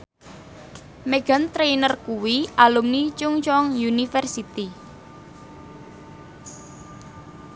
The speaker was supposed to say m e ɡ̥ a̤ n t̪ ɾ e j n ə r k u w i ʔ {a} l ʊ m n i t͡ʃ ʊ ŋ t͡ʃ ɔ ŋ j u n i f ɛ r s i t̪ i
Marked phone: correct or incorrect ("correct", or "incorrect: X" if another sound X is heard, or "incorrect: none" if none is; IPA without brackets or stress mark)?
correct